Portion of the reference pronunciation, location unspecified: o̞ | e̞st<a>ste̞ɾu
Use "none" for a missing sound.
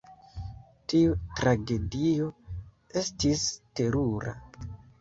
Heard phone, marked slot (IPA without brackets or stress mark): i